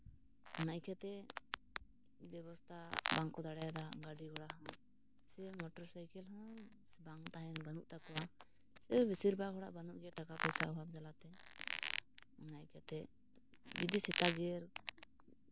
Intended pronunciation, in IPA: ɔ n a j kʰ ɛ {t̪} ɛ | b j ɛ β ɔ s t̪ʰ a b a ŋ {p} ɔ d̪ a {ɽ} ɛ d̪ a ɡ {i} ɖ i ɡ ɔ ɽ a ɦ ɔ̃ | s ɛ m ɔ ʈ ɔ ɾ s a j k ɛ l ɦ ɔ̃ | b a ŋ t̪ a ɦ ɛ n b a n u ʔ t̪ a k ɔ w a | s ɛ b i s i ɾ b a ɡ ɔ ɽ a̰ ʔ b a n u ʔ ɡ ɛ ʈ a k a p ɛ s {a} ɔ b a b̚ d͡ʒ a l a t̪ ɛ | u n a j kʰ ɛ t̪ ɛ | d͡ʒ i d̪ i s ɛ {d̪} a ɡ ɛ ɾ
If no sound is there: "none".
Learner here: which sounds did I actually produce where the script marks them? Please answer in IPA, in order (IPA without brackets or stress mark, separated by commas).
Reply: t̪, k, ɽ, a, a, t̪